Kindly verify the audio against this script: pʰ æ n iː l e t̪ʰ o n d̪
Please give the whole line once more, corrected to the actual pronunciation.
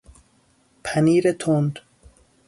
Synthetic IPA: pʰ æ n iː ɾ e t̪ʰ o n d̪